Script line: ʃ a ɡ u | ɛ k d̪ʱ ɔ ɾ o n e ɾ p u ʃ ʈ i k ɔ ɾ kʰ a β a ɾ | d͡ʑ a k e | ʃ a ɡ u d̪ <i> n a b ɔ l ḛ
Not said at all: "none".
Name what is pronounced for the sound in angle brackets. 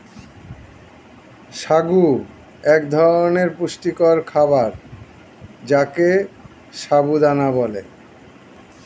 a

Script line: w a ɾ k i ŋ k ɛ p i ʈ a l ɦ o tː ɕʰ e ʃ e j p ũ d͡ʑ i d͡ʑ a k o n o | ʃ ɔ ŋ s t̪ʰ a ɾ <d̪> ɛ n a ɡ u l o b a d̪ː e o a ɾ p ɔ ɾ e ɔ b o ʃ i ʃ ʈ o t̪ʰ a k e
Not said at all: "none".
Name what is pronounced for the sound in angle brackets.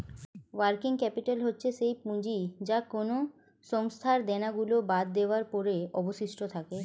d̪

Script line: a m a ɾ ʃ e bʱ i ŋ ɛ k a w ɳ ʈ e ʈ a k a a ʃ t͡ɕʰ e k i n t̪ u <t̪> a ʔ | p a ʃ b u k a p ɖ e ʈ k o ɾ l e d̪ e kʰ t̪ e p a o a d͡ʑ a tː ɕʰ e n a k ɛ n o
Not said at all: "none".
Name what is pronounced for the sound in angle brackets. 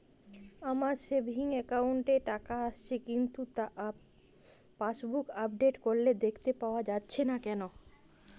t̪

